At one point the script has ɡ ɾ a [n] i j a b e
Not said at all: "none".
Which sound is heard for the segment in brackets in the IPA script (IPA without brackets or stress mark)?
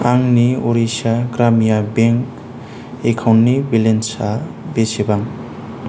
m